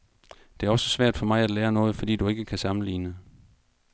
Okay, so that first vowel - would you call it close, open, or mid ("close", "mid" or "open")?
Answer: mid